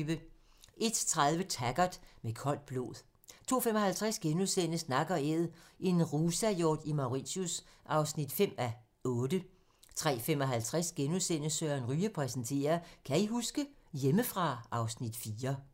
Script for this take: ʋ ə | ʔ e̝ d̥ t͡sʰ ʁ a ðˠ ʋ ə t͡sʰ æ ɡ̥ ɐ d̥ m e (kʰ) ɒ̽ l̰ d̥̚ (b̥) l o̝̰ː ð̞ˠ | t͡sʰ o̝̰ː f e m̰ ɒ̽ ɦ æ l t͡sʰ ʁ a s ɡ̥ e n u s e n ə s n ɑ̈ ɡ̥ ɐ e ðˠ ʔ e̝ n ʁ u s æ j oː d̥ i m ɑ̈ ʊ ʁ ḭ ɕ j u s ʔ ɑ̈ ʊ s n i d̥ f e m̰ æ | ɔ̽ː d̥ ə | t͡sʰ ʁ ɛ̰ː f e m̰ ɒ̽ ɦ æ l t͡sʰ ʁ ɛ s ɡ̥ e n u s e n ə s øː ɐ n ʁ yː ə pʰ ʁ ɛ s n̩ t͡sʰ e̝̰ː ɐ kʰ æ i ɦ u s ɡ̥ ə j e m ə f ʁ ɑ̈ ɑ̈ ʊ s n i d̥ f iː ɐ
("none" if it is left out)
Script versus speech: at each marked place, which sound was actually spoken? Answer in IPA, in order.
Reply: kʰ, b̥

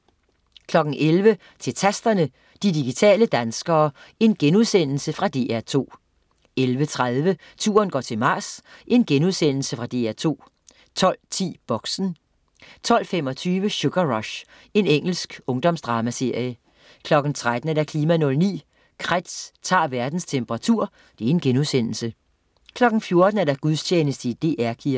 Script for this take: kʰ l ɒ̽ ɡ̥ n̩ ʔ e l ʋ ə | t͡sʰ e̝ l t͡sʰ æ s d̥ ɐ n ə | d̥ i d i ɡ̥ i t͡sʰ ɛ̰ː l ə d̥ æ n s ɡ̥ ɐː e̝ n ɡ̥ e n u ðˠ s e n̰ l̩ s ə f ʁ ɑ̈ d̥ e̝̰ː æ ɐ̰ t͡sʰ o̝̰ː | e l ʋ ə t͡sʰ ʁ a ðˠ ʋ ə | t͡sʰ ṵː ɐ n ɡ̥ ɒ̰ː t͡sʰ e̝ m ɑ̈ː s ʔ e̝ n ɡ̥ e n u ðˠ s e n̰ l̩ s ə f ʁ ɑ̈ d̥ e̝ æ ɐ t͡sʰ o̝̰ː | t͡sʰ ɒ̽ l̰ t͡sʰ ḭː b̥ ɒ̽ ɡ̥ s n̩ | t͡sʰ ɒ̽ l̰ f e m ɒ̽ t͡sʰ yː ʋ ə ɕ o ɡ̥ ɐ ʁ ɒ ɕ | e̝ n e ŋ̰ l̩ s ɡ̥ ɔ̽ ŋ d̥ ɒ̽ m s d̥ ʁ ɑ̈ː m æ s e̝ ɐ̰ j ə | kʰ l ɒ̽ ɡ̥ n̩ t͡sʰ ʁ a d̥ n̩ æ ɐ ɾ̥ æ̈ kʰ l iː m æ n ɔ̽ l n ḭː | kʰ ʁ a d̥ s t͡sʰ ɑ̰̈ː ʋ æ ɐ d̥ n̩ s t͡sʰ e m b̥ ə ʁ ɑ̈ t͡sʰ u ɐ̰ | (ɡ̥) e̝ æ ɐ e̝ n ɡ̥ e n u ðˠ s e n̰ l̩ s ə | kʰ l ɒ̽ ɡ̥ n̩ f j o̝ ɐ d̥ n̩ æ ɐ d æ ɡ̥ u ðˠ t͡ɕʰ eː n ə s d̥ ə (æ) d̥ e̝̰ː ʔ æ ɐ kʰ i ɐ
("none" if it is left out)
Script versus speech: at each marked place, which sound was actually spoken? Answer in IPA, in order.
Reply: d̥, i

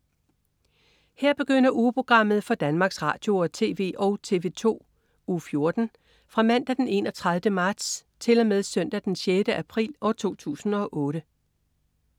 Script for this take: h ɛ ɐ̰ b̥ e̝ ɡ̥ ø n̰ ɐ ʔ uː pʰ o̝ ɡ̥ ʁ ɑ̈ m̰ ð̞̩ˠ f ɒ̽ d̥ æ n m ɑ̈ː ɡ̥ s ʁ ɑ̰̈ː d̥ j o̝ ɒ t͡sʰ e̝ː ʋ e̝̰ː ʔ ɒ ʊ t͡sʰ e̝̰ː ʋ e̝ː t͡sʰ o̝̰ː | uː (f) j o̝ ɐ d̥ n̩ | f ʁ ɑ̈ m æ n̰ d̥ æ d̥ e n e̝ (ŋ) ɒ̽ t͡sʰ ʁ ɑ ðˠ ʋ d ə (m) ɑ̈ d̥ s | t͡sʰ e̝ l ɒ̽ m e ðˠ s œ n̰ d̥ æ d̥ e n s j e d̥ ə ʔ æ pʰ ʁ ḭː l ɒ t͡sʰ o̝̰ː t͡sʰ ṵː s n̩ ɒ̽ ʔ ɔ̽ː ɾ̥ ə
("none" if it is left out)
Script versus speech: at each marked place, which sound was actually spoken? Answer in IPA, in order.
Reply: f, n, m

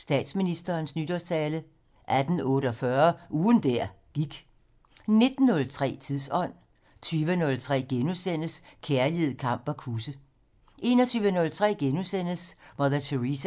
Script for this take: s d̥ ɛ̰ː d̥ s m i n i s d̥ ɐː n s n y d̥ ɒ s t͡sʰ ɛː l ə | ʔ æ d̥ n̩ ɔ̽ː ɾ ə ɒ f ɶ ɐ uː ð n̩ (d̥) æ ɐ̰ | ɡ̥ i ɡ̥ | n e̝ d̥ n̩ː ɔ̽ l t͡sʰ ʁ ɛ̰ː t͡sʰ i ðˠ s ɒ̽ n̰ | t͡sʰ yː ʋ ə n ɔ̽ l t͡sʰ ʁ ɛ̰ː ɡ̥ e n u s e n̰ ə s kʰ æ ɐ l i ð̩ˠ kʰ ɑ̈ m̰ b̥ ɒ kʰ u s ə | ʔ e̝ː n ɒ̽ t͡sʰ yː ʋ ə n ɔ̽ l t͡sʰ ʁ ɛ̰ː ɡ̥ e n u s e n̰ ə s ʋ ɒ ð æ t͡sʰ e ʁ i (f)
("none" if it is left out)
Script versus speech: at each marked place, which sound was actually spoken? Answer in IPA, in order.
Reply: d̥, s

